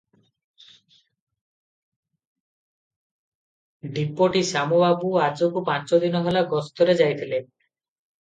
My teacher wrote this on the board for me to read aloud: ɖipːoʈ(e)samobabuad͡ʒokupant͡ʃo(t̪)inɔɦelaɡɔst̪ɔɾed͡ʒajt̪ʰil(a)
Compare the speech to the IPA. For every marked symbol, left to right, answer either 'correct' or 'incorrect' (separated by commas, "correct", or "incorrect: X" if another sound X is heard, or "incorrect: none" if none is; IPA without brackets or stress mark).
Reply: incorrect: i, incorrect: d̪, incorrect: e